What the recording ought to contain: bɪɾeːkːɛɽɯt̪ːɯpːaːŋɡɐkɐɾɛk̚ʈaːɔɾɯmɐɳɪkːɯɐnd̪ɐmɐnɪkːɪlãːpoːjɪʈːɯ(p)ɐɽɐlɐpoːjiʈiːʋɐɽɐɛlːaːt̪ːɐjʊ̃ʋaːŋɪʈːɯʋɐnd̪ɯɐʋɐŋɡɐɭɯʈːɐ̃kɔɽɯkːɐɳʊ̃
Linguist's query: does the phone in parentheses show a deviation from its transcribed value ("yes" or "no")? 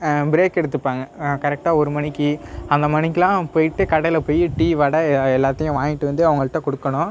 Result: yes